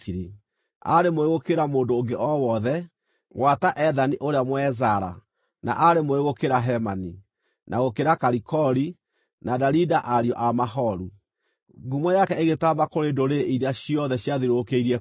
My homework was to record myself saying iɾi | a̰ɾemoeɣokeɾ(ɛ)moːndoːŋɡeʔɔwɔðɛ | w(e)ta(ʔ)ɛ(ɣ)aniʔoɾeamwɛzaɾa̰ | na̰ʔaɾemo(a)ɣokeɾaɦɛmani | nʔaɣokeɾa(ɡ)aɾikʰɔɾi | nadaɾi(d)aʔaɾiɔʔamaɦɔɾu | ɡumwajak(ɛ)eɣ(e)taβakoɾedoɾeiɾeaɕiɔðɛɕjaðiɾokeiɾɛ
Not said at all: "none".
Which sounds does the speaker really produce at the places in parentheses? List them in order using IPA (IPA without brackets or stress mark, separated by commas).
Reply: a, a, ʔ, ð, e, k, d, ɛ, e